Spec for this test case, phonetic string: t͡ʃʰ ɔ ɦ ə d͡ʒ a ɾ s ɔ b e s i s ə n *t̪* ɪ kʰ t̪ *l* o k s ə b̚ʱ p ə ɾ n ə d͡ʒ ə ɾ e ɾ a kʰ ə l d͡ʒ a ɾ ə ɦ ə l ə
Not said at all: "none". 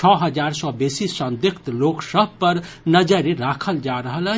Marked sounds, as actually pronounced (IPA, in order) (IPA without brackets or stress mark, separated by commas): d̪, l